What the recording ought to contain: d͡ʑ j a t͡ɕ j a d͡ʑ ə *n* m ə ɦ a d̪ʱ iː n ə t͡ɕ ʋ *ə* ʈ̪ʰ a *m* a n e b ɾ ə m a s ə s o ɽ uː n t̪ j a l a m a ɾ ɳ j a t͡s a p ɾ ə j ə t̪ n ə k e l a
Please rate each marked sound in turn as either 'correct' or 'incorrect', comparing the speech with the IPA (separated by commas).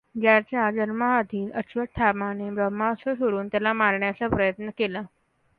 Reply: correct, correct, correct